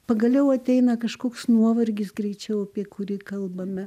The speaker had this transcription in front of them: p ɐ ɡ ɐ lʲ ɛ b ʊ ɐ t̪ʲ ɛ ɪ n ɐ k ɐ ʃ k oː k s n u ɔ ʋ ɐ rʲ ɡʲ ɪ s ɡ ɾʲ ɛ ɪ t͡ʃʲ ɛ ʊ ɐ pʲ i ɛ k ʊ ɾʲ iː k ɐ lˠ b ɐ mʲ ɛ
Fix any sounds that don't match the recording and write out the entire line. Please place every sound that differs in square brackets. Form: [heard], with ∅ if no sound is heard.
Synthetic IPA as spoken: p ɐ ɡ ɐ lʲ ɛ [∅] ʊ ɐ t̪ʲ ɛ ɪ n ɐ k ɐ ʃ k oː k s n u ɔ ʋ ɐ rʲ ɡʲ ɪ s ɡ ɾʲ ɛ ɪ t͡ʃʲ ɛ ʊ ɐ pʲ i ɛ k ʊ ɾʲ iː k ɐ lˠ b ɐ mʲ ɛ